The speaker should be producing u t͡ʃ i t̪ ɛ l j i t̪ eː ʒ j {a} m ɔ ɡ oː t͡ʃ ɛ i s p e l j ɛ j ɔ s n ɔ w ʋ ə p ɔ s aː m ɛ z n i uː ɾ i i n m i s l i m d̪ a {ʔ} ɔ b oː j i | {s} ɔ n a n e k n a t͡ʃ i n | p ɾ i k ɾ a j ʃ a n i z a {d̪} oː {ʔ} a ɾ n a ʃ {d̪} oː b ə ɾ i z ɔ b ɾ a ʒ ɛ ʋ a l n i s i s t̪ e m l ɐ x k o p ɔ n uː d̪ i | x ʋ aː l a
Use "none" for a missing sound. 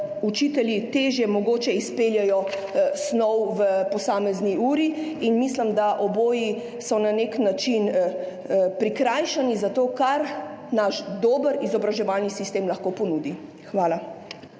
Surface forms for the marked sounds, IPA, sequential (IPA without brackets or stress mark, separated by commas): ɛ, ʔ, s, t̪, k, d̪